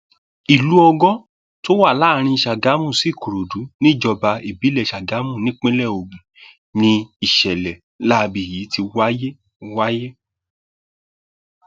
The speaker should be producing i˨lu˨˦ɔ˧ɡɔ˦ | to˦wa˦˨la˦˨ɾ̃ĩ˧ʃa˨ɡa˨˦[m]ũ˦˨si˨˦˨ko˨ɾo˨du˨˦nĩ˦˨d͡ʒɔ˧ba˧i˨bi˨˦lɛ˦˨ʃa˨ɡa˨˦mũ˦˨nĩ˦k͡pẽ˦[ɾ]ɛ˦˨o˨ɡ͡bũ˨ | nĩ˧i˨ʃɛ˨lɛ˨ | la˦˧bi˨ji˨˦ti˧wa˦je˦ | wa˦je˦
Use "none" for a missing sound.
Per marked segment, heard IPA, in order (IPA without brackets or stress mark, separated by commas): m, l